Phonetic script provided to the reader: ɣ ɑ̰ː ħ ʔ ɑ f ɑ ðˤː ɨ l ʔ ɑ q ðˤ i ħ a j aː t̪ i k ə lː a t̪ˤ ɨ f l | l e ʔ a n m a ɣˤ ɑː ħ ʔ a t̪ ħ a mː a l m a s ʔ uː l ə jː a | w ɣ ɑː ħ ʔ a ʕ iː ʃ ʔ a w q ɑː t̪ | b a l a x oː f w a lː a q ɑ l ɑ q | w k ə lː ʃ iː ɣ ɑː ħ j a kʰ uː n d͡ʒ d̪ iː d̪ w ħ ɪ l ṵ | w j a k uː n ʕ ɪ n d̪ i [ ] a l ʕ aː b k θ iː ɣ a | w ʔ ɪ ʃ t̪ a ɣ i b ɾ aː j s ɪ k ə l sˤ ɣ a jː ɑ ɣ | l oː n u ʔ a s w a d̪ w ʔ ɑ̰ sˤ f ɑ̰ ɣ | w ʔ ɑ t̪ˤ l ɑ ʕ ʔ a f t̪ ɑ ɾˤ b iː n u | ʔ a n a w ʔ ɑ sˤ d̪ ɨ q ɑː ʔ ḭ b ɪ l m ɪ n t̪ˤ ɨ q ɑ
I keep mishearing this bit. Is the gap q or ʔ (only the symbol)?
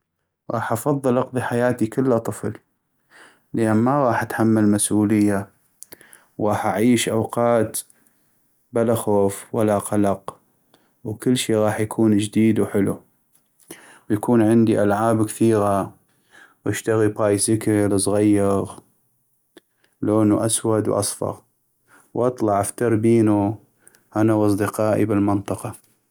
ʔ